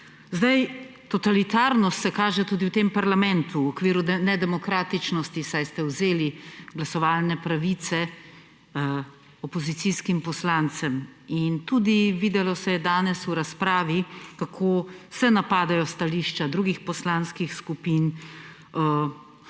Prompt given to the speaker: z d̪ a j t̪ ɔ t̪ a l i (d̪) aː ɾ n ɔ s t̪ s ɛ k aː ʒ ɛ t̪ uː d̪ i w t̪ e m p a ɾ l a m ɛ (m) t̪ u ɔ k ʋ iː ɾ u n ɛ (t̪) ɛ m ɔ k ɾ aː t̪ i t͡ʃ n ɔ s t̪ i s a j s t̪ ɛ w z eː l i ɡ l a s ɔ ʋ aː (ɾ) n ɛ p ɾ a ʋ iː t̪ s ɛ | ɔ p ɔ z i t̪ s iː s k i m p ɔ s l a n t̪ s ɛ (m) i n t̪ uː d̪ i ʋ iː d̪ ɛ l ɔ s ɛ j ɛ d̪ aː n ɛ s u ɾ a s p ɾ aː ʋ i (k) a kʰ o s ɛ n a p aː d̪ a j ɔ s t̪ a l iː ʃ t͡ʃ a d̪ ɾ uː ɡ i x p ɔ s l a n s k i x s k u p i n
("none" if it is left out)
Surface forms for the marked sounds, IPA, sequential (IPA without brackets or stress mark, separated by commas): t̪, n, d̪, l, m, k